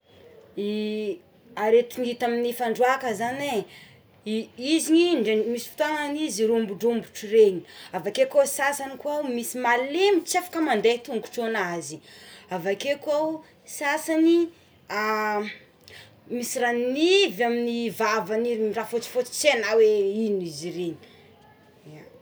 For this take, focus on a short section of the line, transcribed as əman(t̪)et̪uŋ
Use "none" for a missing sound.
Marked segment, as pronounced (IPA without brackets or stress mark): d̪